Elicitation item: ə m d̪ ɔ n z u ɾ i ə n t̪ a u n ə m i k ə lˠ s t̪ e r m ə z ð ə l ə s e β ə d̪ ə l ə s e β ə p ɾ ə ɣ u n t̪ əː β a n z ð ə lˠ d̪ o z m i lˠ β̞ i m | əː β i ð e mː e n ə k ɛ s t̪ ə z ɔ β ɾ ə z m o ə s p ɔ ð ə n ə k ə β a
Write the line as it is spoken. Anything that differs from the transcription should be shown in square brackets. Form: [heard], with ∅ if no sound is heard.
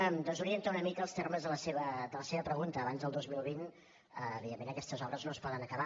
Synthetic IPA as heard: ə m d̪ ɔ n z u ɾ i ə n t̪ a u n ə m i k ə lˠ s t̪ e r m ə z ð ə l ə s e β ə d̪ ə l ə s e β ə p ɾ ə ɣ u n t̪ əː β a n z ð ə lˠ d̪ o z m i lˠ β̞ i [n] | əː β i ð e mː e n ə k ɛ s t̪ ə z ɔ β ɾ ə z [n] o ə s p ɔ ð ə n ə k ə β a